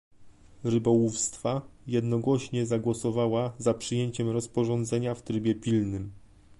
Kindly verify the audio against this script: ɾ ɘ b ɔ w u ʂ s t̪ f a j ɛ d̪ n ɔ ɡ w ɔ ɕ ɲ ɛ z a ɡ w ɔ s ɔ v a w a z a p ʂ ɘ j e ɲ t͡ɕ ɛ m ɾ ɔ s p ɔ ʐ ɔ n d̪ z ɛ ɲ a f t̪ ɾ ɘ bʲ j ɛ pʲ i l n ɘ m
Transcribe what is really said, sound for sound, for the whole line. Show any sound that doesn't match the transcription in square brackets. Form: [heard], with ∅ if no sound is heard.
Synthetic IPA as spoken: ɾ ɘ b ɔ w u [f] s t̪ f a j ɛ d̪ n ɔ ɡ w ɔ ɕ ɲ ɛ z a ɡ w ɔ s ɔ v a w a z a p ʂ ɘ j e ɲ t͡ɕ ɛ m ɾ ɔ s p ɔ ʐ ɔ n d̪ z ɛ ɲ a f t̪ ɾ ɘ bʲ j ɛ pʲ i l n ɘ m